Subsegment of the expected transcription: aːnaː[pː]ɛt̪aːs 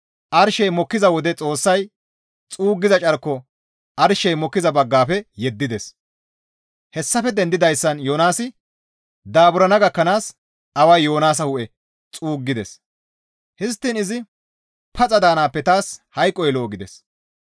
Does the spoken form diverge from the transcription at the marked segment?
no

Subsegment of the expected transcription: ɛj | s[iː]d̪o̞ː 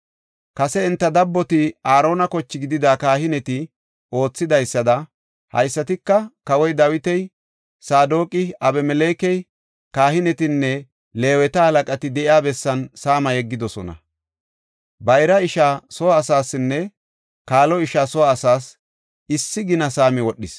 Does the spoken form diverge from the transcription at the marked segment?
yes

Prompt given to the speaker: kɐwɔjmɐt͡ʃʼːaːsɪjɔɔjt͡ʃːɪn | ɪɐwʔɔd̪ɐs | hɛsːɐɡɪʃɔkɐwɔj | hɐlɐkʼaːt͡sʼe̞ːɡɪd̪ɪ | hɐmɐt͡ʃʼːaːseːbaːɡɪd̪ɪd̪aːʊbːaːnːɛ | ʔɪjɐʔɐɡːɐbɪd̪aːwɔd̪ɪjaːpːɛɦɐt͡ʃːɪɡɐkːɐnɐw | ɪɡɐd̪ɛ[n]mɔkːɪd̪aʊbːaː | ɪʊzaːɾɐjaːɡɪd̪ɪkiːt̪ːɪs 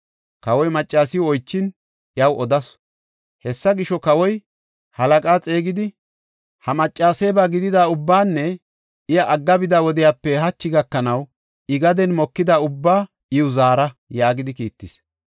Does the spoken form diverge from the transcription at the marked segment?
no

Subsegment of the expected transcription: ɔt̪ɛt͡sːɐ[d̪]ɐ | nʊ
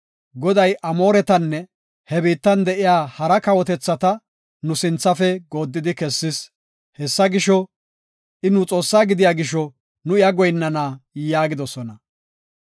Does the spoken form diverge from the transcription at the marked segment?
yes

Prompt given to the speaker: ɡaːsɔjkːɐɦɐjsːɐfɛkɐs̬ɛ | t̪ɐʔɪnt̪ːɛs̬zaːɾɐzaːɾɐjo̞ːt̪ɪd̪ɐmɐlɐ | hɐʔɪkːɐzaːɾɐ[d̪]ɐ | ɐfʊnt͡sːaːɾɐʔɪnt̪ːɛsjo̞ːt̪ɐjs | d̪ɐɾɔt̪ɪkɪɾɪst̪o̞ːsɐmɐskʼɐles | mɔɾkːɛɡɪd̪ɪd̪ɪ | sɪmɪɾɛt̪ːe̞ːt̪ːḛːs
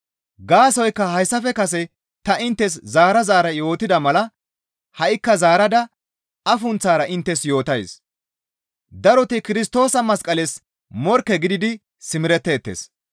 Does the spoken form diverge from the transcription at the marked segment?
no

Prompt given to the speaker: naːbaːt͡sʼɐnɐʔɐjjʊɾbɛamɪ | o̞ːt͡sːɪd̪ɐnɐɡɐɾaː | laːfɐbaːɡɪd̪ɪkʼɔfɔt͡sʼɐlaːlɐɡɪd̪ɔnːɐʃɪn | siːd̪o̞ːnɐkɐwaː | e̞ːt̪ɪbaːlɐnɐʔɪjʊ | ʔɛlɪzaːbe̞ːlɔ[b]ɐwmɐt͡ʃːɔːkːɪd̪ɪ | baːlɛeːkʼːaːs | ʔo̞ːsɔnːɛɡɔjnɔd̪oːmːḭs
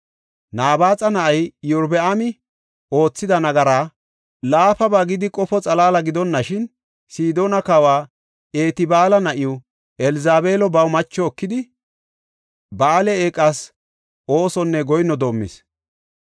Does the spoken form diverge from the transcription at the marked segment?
no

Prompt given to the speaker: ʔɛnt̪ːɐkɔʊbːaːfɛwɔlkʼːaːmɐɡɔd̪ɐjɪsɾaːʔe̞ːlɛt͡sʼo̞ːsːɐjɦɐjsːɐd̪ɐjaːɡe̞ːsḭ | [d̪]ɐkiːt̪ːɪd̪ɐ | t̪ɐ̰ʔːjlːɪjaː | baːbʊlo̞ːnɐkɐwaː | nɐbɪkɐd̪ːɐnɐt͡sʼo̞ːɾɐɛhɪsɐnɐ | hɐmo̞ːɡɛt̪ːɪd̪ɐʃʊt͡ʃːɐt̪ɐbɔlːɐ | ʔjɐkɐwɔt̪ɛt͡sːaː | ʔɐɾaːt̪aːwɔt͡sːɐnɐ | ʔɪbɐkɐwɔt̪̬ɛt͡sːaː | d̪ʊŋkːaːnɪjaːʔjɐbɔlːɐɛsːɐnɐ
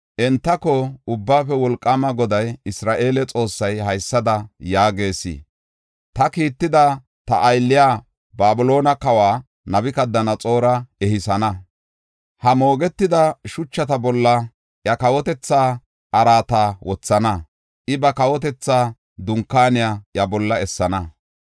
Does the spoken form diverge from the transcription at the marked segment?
yes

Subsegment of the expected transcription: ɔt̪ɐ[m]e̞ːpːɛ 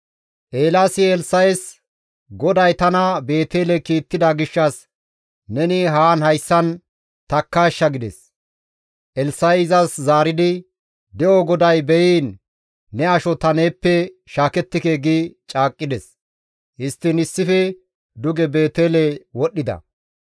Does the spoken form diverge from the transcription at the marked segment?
yes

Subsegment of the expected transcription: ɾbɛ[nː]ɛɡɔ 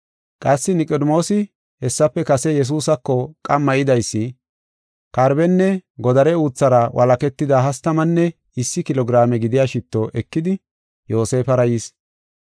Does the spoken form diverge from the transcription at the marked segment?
no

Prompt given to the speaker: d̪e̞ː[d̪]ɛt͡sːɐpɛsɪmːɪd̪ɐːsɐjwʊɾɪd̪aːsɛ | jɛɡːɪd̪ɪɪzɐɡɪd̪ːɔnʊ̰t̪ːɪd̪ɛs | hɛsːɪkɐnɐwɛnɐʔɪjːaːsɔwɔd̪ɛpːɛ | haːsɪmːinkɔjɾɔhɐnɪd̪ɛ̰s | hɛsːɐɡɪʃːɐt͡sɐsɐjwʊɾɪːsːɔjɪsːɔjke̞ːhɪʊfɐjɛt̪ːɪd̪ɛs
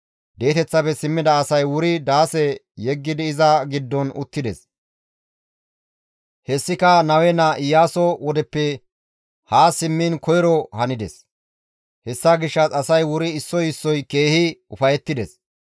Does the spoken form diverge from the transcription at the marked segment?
yes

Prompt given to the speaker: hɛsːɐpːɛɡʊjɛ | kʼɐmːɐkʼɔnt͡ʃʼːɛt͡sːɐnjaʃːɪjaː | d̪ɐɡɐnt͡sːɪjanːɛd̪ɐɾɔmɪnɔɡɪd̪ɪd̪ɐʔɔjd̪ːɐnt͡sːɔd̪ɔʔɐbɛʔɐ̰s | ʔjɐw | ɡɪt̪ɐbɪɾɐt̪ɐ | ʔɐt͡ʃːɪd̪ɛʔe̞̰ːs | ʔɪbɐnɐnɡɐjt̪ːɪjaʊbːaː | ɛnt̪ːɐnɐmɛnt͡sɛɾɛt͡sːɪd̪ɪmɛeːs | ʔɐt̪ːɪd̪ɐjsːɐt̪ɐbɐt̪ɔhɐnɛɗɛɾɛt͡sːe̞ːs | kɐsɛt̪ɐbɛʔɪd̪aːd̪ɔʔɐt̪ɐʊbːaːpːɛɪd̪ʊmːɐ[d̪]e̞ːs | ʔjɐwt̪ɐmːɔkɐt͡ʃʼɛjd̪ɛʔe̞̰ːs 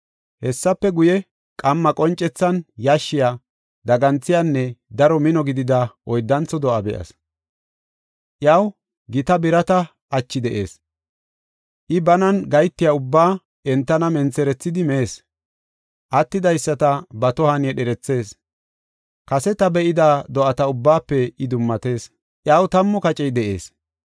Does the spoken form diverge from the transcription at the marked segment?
yes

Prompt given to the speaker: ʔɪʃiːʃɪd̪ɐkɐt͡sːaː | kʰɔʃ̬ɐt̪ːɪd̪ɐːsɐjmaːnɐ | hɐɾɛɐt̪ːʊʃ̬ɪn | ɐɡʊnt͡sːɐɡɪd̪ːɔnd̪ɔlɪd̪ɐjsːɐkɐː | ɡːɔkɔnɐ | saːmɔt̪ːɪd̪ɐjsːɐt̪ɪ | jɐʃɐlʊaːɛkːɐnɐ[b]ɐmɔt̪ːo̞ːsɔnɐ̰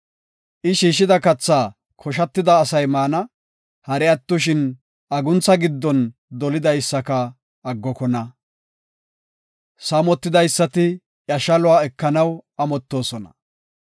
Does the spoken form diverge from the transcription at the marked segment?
yes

